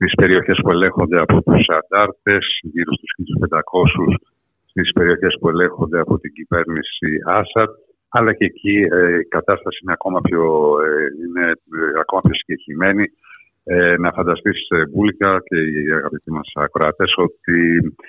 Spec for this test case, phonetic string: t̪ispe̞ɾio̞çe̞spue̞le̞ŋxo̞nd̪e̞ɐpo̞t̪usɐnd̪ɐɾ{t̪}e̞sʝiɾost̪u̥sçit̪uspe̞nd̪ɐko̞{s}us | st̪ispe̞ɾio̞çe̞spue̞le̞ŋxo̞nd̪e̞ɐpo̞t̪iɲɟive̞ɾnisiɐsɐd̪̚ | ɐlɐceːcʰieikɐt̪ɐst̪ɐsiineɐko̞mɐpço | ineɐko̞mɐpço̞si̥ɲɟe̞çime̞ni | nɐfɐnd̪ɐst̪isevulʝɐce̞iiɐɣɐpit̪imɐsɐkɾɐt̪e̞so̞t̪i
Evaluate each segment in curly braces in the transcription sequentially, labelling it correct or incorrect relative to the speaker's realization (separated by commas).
correct, correct